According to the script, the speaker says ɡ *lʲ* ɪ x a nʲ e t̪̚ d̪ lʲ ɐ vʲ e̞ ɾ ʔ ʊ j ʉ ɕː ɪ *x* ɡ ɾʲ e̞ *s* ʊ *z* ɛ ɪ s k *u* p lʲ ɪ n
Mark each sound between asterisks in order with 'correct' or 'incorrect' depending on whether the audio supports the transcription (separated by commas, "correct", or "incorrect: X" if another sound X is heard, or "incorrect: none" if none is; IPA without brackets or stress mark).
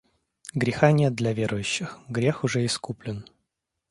incorrect: ɾʲ, correct, incorrect: x, incorrect: ʐ, correct